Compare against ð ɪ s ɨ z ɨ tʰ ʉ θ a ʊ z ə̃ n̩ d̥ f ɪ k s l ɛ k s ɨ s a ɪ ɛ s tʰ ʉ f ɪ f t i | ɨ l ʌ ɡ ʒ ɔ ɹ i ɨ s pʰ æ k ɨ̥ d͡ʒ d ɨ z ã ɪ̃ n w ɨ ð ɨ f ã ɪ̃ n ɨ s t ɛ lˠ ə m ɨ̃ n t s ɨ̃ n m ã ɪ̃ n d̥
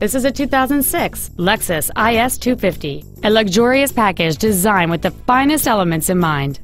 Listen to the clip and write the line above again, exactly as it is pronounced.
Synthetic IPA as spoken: ð ɪ s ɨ z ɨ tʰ ʉ θ a ʊ z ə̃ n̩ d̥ s ɪ k s l ɛ k s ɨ s a ɪ ɛ s tʰ ʉ f ɪ f t i | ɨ l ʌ ɡ ʒ ɔ ɹ i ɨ s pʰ æ k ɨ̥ d͡ʒ d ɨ z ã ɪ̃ n w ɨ ð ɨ f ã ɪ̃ n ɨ s t ɛ lˠ ə m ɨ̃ n t s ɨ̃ n m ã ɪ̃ n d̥

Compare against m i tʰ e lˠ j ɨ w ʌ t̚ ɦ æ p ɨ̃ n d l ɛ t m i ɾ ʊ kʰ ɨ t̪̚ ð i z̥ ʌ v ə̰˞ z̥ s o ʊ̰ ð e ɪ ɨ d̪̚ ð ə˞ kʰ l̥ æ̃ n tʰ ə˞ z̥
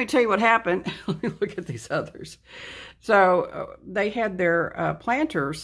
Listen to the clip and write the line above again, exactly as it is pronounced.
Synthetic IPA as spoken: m i tʰ ɛ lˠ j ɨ w ʌ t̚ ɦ æ p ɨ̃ n d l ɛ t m i l ʊ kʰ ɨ t̪̚ ð i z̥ ʌ ð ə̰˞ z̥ s o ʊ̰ ð e ɪ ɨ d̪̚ ð ə˞ pʰ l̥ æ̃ n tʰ ə˞ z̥

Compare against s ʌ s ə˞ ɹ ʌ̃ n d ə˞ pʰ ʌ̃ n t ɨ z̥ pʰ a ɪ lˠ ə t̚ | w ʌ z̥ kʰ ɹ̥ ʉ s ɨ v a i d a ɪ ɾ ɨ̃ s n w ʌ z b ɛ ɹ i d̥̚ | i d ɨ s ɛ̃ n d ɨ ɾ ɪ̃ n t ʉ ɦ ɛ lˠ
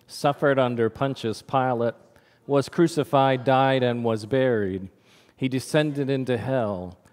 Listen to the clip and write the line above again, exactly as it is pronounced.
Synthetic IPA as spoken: s ʌ f ə˞ ɾ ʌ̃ n d ə˞ pʰ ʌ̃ n t͡ʃ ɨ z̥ pʰ a ɪ lˠ ə t̚ | w ʌ z̥ kʰ ɹ̥ ʉ s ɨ f a ɪ d a ɪ ɾ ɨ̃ n w ʌ z b ɛ ɹ i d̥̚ | i d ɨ s ɛ̃ n d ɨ ɾ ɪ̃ n t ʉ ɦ ɛ lˠ

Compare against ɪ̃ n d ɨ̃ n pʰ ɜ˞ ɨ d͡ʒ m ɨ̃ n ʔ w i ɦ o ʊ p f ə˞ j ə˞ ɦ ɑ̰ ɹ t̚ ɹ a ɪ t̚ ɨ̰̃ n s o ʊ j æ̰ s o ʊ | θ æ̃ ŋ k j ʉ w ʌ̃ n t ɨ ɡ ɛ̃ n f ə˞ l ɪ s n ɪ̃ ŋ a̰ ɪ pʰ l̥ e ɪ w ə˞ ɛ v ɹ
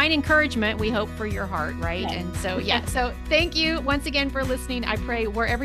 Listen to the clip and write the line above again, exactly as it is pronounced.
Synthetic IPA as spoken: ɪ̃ n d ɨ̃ n kʰ ɜ˞ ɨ d͡ʒ m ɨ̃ n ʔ w i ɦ o ʊ p f ə˞ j ə˞ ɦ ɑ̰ ɹ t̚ ɹ a ɪ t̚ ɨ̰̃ n s o ʊ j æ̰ s o ʊ | θ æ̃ ŋ k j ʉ w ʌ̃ n s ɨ ɡ ɛ̃ n f ə˞ l ɪ s n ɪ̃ ŋ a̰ ɪ pʰ ɹ̥ e ɪ w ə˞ ɛ v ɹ

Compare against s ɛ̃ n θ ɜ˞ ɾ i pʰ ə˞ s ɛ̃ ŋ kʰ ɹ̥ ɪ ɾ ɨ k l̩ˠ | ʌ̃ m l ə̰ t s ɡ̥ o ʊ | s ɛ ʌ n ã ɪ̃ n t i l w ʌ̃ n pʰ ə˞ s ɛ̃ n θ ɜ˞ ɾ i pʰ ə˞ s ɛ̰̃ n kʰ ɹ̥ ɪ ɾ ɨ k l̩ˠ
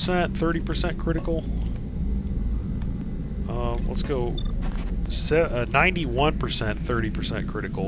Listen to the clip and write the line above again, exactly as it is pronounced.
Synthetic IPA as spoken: s ɛ̃ n θ ɜ˞ ɾ i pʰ ə˞ s ɛ̃ n kʰ ɹ̥ ɪ ɾ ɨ k l̩ˠ | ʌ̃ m l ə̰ t s ɡ̥ o ʊ | s ɛ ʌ n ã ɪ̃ n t i w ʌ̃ n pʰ ə˞ s ɛ̃ n θ ɜ˞ ɾ i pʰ ə˞ s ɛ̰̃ n kʰ ɹ̥ ɪ ɾ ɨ k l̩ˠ

